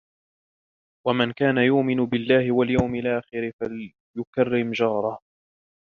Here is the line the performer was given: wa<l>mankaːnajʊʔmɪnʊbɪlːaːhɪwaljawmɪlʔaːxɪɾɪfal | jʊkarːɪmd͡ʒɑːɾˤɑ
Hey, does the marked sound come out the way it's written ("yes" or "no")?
no